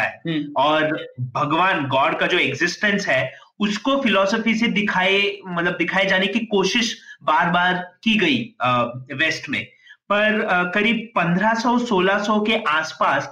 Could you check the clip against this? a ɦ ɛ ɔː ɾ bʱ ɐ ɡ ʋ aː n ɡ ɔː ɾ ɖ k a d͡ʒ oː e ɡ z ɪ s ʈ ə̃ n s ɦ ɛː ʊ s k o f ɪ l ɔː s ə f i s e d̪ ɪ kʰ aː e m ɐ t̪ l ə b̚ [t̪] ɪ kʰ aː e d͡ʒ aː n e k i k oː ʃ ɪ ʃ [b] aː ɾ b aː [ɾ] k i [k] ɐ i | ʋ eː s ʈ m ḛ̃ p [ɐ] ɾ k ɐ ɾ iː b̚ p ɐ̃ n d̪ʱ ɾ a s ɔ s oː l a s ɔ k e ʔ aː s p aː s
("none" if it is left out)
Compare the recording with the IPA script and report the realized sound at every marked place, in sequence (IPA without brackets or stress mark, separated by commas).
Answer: d̪, b, ɾ, ɡ, ɐ